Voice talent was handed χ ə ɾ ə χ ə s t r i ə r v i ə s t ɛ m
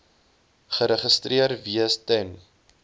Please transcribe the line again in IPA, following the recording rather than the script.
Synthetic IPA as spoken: χ ə ɾ ə χ ə s t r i ə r v i ə s t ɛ n

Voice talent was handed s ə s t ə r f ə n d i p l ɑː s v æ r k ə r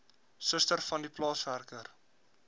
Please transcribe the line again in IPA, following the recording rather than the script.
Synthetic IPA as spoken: s ə s t ə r f ɐ n d i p l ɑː s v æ r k ə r

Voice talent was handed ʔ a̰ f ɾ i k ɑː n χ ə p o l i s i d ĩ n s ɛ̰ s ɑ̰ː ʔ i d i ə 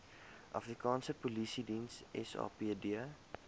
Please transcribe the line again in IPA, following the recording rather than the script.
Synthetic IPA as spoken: ʔ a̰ f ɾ i k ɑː n s ə p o l i s i d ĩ n s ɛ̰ s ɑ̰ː p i d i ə

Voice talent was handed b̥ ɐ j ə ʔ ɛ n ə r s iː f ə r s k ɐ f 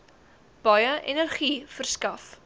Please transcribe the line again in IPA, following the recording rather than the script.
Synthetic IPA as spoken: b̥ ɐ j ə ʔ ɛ n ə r χ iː f ə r s k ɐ f

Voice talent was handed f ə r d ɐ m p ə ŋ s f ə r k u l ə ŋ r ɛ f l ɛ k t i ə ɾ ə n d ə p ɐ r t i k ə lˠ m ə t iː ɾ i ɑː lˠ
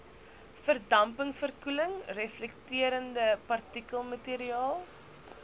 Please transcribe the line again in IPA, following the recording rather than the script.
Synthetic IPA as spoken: f ə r d ɐ m p ə ŋ s f ə r k u l ə ŋ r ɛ f l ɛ k t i ə ɾ ə n d ə p ɐ r t i k ə lˠ m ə t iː ɾ i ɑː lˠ

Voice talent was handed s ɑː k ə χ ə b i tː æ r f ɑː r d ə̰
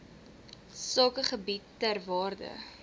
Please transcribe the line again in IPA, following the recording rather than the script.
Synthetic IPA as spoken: s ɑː k ə χ ə b i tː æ r v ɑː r d ə̰

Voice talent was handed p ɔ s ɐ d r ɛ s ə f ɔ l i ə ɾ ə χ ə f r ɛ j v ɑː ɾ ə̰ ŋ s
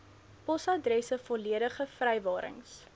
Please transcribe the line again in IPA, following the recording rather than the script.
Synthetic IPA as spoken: p ɔ s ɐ d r ɛ s ə f ɔ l i ə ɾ ə χ ə f r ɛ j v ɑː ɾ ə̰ ŋ s

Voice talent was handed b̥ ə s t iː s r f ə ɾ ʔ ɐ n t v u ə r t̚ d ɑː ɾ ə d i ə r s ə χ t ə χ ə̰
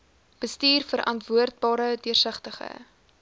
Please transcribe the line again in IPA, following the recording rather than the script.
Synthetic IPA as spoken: b̥ ə s t iː r f ə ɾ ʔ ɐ n t v u ə r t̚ b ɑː ɾ ə d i ə r s ə χ t ə χ ə̰

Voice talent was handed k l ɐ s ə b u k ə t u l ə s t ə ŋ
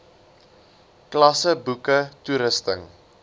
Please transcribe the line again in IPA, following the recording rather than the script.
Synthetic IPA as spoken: k l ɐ s ə b u k ə t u ɾ ə s t ə ŋ

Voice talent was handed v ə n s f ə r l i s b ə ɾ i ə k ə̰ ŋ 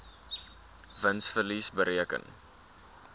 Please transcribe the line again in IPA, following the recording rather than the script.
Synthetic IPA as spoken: v ə n s f ə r l i s b ə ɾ i ə k ə̰ n

